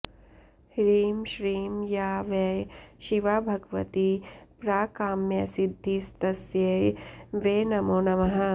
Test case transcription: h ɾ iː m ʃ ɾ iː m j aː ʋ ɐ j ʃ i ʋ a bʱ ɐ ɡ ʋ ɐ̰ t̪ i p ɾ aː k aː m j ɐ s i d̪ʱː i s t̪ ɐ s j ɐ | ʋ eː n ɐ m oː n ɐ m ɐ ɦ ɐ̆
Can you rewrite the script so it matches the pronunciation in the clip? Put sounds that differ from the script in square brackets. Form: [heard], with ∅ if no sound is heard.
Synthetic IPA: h ɾ iː m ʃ ɾ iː m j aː ʋ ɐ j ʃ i ʋ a bʱ ɐ ɡ ʋ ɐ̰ t̪ i p ɾ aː k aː m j ɐ s i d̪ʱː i s t̪ ɐ s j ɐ | ʋ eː n ɐ m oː n ɐ m ɐ ɦ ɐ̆